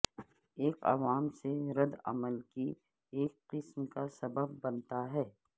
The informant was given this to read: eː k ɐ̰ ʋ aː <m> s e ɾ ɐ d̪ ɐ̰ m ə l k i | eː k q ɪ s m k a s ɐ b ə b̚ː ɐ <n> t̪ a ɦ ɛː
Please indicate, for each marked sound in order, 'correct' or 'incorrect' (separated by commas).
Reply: correct, correct